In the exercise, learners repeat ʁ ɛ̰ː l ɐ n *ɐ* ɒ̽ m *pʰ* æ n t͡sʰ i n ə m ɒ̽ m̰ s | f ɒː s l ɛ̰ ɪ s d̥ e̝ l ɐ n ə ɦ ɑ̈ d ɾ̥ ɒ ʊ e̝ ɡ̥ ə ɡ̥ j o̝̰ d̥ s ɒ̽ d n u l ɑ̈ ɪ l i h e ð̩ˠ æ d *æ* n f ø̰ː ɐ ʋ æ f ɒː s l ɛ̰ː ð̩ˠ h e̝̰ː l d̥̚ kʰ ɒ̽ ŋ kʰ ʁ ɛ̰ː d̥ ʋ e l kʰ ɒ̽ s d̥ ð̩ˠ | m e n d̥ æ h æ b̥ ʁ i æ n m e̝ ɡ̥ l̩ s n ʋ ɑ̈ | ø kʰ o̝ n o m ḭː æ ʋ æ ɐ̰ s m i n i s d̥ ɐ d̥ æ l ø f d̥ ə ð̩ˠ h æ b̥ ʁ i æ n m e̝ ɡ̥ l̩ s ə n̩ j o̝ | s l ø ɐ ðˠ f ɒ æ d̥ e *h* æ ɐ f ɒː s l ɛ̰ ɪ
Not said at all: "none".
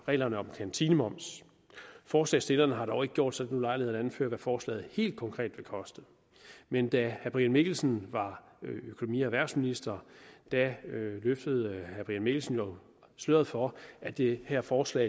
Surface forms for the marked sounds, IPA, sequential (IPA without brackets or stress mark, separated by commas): ə, kʰ, æ, h